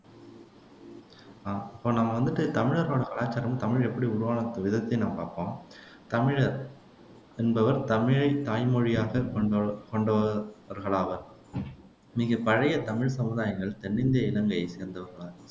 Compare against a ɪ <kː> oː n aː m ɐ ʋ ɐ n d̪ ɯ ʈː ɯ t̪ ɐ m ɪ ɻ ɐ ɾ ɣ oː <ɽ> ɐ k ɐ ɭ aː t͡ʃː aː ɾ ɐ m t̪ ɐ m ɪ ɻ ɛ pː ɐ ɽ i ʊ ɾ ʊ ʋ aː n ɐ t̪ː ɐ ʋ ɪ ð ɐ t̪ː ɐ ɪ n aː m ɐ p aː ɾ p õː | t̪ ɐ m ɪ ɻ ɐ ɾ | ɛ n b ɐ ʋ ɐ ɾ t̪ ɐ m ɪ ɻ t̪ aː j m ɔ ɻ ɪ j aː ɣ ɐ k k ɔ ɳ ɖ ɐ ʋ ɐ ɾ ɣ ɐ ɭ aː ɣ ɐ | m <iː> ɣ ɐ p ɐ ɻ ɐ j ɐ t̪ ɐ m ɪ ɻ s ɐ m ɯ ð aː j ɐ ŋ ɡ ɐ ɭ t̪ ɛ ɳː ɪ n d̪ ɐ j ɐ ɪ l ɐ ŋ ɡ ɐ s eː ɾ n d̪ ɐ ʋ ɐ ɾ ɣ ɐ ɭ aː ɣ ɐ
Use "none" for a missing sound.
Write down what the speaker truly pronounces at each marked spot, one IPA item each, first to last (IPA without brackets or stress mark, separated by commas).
pː, ɽ, iː